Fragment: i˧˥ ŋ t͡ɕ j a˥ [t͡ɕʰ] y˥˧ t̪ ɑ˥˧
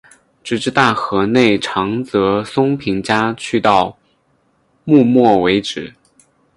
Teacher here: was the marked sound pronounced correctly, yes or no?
yes